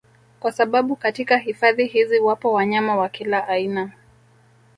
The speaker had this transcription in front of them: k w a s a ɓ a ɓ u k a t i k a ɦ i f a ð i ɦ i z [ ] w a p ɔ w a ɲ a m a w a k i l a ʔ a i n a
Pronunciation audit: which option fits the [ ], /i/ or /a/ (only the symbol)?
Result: i